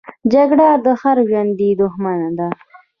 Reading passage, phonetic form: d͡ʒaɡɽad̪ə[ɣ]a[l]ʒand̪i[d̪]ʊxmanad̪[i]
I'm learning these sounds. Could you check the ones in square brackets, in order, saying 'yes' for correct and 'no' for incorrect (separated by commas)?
no, no, yes, no